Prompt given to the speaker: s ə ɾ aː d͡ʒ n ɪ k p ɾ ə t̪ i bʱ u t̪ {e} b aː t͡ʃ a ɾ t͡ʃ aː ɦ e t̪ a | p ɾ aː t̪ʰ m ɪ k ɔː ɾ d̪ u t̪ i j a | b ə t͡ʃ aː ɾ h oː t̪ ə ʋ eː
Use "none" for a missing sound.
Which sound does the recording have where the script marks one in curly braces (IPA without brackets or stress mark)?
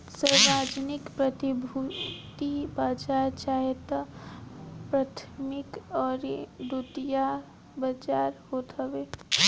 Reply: i